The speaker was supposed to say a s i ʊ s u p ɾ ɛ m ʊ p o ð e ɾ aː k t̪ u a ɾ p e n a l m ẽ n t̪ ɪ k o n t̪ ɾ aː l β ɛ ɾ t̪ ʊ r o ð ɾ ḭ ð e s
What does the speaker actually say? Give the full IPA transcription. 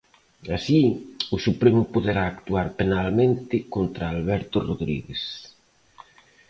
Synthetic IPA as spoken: a s i ʊ s u p ɾ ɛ m ʊ p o ð e ɾ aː k t̪ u a ɾ p e n a l m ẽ n t̪ ɪ k o n t̪ ɾ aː l β ɛ ɾ t̪ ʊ r o ð ɾ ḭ ɣ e s